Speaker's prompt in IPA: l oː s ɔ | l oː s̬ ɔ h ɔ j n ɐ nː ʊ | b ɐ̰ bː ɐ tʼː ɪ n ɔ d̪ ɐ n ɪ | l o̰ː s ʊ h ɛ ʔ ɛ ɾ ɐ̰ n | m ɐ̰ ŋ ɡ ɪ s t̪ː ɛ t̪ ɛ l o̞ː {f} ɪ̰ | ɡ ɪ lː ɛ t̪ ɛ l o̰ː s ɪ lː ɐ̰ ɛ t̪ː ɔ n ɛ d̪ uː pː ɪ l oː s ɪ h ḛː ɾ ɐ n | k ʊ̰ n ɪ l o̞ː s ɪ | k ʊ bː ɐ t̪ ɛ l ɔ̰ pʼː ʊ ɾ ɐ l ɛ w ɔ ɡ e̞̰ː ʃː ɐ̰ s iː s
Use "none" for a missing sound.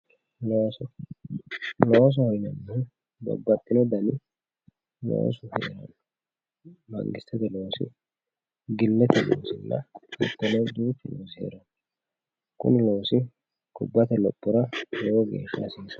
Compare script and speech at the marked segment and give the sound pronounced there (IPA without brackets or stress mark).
s